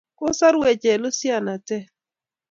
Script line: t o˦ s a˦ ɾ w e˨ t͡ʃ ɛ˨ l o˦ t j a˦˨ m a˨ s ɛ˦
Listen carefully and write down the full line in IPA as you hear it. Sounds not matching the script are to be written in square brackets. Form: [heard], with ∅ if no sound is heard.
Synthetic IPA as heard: [k] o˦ s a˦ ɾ w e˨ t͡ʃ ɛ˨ l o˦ [s] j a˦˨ [n] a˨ [t] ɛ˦